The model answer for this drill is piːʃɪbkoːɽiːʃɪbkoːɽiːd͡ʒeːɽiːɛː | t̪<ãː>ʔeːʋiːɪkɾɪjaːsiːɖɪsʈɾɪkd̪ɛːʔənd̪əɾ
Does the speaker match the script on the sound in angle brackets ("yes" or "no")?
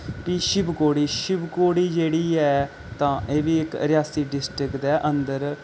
yes